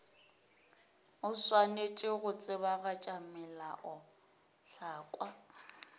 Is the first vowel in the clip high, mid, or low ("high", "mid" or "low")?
high